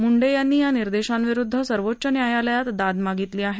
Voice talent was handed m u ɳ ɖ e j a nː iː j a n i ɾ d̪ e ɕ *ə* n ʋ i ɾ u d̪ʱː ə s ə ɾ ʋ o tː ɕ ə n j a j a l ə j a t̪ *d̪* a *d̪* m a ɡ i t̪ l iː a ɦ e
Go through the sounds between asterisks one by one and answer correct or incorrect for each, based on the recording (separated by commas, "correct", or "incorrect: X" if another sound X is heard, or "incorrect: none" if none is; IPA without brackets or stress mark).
incorrect: a, correct, correct